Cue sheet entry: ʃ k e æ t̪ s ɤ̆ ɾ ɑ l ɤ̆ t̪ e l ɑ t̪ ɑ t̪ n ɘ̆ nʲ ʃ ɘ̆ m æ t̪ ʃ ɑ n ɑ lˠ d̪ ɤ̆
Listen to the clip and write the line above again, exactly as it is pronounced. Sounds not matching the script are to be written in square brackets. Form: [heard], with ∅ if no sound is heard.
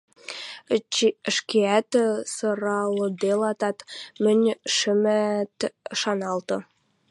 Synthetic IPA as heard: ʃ k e æ t̪ s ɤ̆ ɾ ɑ l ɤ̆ [d̪] e l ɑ t̪ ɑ t̪ [m] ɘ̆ nʲ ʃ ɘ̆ m æ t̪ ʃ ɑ n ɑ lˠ [t̪] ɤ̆